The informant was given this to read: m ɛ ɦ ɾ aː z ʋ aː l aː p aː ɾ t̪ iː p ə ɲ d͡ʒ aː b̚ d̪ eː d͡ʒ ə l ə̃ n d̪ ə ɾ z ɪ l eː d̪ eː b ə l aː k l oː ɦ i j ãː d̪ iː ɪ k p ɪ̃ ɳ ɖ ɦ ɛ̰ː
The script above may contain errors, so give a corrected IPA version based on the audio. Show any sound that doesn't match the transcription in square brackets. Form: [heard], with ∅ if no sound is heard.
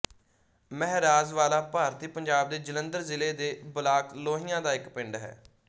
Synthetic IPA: m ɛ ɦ ɾ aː z ʋ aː l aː p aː ɾ t̪ iː p ə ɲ d͡ʒ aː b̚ d̪ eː d͡ʒ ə l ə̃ n d̪ ə ɾ z ɪ l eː d̪ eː b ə l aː k l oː ɦ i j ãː d̪ [aː] ɪ k p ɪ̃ ɳ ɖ ɦ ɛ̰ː